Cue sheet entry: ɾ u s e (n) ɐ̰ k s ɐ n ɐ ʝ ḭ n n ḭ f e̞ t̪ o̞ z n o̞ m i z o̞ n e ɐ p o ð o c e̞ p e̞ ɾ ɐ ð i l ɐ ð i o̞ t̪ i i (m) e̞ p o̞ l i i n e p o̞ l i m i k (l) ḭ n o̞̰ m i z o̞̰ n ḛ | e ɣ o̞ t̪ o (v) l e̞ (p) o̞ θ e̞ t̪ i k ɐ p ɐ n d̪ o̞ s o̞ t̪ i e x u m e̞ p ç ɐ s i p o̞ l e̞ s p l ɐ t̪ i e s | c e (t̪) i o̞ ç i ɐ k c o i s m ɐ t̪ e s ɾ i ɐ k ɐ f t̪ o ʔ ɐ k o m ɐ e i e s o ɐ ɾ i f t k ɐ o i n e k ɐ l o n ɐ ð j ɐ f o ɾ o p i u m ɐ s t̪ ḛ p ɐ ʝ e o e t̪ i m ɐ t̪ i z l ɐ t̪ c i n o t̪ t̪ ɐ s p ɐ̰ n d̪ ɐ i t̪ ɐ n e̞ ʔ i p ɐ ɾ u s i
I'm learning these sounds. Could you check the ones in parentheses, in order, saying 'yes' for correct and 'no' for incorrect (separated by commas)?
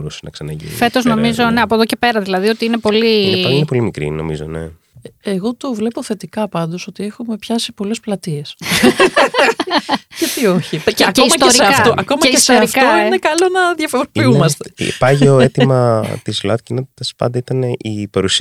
yes, no, no, yes, yes, yes